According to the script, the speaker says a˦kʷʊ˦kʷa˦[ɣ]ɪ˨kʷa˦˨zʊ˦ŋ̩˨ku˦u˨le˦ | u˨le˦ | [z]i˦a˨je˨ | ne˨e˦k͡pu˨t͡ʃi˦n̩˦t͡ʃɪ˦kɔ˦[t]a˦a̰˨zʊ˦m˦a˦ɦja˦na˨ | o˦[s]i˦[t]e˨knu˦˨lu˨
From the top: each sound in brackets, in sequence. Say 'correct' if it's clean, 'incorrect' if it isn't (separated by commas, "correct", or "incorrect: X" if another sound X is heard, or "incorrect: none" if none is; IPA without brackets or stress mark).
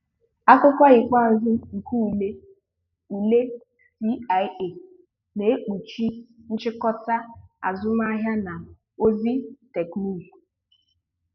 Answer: correct, incorrect: s, correct, incorrect: z, correct